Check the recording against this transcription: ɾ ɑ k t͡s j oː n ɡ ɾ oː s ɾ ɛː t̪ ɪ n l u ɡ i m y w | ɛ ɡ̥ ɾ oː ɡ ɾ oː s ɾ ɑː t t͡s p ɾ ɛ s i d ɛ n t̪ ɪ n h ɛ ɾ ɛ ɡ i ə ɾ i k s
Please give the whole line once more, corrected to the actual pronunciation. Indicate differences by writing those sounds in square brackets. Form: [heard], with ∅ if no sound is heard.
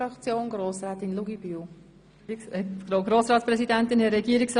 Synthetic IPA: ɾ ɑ k t͡s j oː n ɡ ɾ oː s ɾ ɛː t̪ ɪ n l u ɡ i [b] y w | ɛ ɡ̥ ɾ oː ɡ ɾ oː s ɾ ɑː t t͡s p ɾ ɛ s i d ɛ n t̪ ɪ n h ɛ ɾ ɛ ɡ i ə ɾ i k s